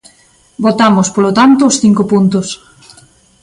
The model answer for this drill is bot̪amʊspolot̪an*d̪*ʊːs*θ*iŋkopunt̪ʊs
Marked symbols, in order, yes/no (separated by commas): no, yes